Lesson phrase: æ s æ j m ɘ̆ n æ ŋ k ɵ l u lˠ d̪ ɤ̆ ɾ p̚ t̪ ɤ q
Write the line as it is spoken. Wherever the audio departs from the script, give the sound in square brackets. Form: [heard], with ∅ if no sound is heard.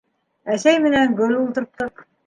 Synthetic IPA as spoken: æ s æ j m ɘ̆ n æ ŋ [ɡ] ɵ l u lˠ [t̪] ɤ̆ ɾ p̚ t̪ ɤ q